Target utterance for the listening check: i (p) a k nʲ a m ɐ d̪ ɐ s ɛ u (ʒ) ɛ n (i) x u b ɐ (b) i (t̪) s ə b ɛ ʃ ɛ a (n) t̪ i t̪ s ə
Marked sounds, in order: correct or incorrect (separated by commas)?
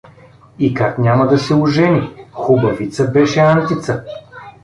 incorrect, correct, correct, incorrect, correct, correct